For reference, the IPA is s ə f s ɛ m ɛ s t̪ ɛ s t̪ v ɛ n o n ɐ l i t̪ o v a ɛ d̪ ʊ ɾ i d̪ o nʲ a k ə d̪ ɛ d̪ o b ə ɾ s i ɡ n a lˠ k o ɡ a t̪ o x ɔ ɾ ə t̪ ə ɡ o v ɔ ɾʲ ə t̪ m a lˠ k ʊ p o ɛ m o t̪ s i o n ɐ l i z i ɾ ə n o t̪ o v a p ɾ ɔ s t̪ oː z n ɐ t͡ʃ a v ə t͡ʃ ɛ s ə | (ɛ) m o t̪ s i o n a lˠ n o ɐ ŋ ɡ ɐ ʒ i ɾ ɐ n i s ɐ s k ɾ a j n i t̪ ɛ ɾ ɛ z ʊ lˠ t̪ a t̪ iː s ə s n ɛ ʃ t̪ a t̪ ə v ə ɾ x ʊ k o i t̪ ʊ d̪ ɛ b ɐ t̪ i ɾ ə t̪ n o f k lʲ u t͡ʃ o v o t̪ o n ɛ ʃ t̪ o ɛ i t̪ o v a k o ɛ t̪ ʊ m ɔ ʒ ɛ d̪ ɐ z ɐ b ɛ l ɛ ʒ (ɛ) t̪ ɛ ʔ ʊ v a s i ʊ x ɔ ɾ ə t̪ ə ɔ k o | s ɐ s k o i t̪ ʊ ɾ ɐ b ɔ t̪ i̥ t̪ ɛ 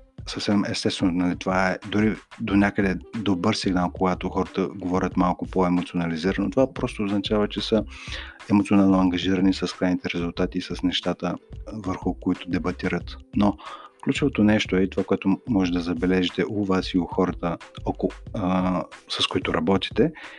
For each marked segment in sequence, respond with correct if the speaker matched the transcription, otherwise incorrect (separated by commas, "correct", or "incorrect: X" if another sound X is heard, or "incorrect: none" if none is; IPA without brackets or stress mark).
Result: correct, incorrect: i